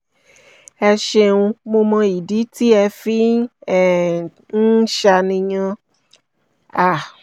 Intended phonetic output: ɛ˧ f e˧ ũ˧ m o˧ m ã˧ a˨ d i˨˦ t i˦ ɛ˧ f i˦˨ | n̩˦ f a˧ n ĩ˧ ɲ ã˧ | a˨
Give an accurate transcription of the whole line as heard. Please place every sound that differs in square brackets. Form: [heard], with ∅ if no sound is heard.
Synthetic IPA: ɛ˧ [ʃ] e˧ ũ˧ m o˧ m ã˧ [i˨] d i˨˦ t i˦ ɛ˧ f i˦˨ | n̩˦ [ʃ] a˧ n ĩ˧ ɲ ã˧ | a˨